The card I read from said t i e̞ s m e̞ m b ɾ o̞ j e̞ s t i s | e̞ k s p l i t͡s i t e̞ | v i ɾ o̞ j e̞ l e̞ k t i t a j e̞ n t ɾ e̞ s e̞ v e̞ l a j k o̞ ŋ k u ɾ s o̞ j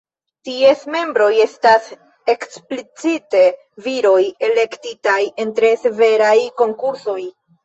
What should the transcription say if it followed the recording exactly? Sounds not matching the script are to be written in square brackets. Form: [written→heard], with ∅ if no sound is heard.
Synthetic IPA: t i e̞ s m e̞ m b ɾ o̞ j e̞ s t [i→a] s | e̞ k s p l i t͡s i t e̞ | v i ɾ o̞ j e̞ l e̞ k t i t a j e̞ n t ɾ e̞ s e̞ v e̞ [l→ɾ] a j k o̞ ŋ k u ɾ s o̞ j